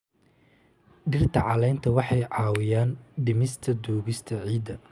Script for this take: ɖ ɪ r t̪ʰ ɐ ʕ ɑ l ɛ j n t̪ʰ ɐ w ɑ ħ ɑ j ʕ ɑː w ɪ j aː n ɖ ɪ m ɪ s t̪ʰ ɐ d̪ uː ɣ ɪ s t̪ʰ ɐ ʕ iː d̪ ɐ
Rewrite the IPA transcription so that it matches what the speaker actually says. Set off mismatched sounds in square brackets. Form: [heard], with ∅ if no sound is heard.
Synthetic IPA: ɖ ɪ r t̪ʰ ɐ ʕ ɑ l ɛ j n t̪ʰ ɐ w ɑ ħ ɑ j ʕ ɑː w ɪ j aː n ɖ ɪ m ɪ s t̪ʰ ɐ d̪ uː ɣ ɪ s t̪ʰ ɐ ʕ iː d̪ ɐ